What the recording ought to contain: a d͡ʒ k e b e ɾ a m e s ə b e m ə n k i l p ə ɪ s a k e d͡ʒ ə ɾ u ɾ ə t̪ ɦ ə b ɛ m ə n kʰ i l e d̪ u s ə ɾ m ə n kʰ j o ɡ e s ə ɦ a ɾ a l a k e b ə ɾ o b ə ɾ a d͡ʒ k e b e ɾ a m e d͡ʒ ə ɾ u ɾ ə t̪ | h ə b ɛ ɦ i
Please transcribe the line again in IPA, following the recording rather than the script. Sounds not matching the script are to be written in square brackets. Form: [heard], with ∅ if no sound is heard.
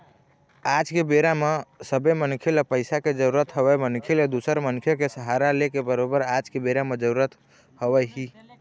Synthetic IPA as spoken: a d͡ʒ k e b e ɾ a m e s ə b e m ə n [kʰ] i l p ə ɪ s a k e d͡ʒ ə ɾ u ɾ ə t̪ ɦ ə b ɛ m ə n kʰ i l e d̪ u s ə ɾ m ə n kʰ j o [k] e s ə ɦ a ɾ a l [e] k e b ə ɾ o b ə ɾ a d͡ʒ k e b e ɾ a m e d͡ʒ ə ɾ u ɾ ə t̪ | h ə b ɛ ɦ i